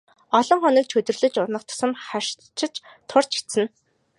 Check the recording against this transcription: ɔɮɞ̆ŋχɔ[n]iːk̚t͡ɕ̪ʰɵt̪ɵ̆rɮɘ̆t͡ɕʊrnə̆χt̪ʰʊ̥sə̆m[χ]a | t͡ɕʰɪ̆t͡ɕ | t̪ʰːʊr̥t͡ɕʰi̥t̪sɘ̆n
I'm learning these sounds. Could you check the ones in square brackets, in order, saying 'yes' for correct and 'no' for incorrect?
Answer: yes, yes

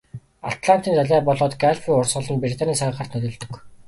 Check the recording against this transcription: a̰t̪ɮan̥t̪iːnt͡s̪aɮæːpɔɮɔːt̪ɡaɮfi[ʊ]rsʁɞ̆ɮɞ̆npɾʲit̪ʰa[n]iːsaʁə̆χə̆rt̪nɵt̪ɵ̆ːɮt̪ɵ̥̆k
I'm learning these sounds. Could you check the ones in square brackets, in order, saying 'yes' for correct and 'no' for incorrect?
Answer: yes, yes

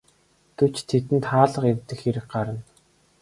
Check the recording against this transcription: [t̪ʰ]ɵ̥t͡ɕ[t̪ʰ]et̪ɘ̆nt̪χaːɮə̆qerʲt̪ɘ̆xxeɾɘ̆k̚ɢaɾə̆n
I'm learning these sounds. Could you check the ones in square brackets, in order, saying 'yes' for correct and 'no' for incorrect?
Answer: no, yes

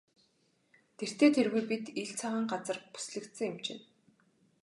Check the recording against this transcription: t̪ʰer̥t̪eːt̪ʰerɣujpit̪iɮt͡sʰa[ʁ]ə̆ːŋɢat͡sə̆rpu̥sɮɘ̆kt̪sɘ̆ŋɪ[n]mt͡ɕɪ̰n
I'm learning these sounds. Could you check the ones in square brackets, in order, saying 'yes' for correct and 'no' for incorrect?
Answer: yes, no

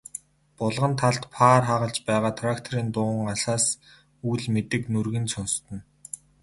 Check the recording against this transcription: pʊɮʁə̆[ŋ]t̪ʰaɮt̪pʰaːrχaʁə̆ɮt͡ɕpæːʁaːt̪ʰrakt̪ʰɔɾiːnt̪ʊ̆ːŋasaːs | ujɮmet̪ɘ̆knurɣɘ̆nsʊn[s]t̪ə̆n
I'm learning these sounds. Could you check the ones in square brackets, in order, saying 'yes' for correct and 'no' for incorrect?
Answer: no, yes

